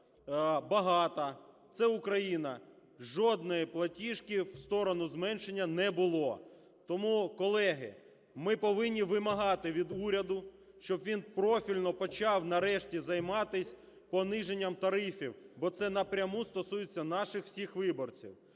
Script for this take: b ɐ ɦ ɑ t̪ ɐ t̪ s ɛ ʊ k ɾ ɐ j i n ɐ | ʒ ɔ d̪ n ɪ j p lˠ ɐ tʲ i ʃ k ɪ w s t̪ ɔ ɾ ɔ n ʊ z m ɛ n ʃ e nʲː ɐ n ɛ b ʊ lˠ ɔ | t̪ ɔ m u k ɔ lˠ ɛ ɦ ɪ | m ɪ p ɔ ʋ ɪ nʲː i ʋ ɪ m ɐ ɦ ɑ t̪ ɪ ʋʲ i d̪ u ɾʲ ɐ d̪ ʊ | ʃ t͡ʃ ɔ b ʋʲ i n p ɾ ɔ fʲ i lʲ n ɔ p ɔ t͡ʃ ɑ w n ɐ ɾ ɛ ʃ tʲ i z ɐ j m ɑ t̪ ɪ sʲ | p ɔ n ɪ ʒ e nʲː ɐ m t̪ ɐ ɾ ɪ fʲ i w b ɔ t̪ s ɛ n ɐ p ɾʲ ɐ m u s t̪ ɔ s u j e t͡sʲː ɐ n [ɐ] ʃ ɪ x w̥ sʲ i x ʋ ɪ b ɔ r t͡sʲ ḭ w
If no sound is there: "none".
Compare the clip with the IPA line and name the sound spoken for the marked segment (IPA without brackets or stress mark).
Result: ɑ